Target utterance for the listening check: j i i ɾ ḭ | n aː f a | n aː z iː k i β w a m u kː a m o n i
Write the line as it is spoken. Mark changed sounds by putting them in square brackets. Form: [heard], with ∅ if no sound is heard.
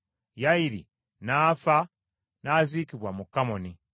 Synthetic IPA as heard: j [a] i ɾ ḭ | n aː f a | n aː z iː k i β w a m u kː a m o n i